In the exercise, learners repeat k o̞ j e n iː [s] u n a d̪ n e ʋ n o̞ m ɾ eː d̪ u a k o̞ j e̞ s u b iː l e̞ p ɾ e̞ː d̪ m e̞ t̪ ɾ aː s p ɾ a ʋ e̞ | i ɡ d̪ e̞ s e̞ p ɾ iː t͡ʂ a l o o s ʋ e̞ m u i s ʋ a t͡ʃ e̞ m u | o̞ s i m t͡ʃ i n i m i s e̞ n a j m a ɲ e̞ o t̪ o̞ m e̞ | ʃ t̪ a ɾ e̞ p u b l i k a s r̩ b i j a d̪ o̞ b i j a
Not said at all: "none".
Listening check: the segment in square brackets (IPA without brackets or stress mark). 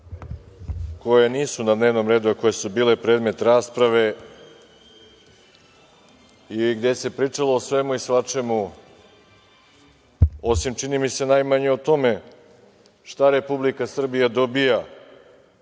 s